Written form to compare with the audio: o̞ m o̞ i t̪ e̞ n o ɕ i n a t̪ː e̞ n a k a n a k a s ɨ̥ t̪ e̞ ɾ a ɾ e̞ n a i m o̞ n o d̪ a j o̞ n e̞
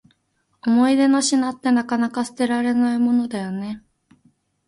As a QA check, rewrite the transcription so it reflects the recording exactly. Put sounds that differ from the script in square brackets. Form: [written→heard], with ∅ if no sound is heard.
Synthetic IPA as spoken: o̞ m o̞ i [t̪→d̪] e̞ n o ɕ i n a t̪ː e̞ n a k a n a k a s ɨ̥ t̪ e̞ ɾ a ɾ e̞ n a i m o̞ n o d̪ a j o̞ n e̞